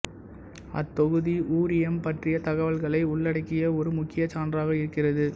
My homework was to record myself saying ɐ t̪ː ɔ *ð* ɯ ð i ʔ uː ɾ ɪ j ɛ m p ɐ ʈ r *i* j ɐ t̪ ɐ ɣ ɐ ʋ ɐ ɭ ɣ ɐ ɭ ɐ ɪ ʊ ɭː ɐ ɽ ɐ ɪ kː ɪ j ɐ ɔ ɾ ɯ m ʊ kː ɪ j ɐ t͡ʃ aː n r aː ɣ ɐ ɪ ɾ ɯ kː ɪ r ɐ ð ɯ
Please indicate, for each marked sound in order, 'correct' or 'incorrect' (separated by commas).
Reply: incorrect, incorrect